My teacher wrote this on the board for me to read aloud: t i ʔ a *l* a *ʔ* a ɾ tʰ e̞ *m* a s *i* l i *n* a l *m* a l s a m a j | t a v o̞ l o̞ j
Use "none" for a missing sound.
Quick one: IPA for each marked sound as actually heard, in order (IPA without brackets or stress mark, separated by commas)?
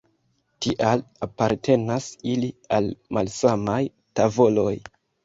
l, p, n, i, none, m